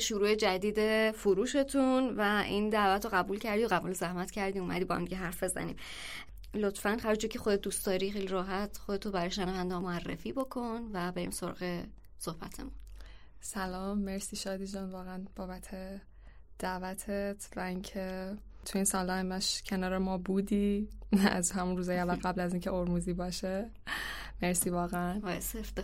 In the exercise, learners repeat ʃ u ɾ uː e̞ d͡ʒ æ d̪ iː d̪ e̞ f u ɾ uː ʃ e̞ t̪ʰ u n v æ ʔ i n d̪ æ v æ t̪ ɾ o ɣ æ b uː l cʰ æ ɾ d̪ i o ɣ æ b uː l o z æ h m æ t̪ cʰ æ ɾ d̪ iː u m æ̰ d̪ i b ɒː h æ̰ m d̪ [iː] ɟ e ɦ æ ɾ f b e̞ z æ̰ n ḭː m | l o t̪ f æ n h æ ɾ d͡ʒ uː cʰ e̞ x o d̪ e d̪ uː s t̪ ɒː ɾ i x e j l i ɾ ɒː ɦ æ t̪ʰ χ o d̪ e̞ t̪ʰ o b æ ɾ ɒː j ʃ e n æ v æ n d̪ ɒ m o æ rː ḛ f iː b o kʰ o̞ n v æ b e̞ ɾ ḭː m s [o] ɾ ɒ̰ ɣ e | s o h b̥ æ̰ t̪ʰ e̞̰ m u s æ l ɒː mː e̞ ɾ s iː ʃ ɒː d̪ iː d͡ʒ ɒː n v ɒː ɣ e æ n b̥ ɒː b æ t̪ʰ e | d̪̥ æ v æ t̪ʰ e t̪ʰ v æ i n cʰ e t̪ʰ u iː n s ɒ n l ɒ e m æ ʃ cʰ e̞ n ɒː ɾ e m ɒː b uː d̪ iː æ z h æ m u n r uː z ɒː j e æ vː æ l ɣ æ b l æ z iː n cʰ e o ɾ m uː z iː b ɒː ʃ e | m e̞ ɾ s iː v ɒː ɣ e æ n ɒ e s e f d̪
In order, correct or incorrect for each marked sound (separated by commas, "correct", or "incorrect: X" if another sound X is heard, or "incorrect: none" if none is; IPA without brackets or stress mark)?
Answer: incorrect: i, correct